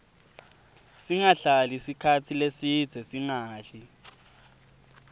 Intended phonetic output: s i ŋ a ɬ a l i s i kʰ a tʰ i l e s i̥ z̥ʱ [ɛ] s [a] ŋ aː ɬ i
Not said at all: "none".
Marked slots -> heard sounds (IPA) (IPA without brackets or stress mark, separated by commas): ɛ, i